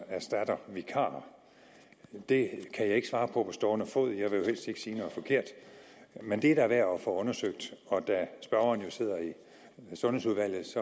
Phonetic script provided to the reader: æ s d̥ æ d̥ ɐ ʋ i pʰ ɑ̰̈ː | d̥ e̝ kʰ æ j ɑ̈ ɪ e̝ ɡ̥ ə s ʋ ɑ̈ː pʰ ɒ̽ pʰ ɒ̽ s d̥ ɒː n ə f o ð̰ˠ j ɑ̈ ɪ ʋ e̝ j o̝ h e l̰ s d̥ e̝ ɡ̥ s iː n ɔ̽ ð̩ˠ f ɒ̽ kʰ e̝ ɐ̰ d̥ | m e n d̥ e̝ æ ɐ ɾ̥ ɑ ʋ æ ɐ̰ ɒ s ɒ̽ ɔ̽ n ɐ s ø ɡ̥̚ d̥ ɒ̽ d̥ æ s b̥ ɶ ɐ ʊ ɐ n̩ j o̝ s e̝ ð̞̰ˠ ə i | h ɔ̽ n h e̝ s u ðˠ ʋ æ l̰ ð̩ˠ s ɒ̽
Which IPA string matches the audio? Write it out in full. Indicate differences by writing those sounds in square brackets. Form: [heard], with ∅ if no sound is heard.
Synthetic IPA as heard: æ s d̥ æ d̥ ɐ ʋ i [kʰ] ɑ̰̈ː | d̥ e̝ kʰ æ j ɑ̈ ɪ e̝ ɡ̥ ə s ʋ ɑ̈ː pʰ ɒ̽ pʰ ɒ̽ s d̥ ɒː n ə f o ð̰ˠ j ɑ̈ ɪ ʋ e̝ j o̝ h e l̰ s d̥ e̝ ɡ̥ s iː n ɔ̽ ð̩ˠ f ɒ̽ kʰ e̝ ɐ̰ d̥ | m e n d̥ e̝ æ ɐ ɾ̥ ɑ ʋ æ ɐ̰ ɒ [f] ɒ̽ ɔ̽ n ɐ s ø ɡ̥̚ d̥ ɒ̽ d̥ æ s b̥ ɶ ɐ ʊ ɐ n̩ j o̝ s e̝ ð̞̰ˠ [ɐ] i | [s] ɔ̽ n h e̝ s u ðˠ ʋ æ l̰ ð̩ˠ s ɒ̽